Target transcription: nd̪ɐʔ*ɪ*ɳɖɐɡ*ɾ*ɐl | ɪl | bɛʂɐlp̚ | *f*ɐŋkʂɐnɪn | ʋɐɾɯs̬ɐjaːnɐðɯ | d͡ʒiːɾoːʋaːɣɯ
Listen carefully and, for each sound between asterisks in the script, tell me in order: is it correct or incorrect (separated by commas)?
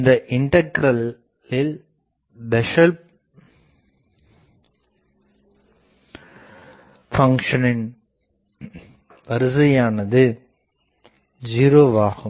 correct, correct, correct